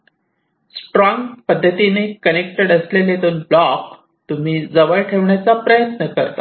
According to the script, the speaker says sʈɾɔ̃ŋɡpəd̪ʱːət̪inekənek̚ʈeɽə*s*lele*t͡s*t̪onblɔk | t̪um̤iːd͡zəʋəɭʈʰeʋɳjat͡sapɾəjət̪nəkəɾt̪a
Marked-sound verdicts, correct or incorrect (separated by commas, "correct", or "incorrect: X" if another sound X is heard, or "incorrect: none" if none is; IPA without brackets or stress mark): correct, incorrect: none